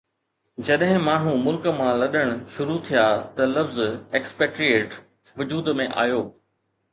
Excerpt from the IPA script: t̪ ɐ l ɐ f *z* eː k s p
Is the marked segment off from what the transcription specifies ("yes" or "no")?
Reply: no